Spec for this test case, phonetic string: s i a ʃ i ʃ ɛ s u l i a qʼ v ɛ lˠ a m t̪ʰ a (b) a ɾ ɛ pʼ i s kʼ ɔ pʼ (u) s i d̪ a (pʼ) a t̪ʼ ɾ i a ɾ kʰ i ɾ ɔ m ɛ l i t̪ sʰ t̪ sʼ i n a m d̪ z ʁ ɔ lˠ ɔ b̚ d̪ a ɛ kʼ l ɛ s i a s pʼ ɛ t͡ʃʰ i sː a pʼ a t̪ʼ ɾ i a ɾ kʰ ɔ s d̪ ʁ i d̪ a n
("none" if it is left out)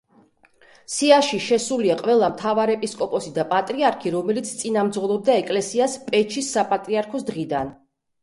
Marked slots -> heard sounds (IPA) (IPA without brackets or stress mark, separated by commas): v, ɔ, pʼ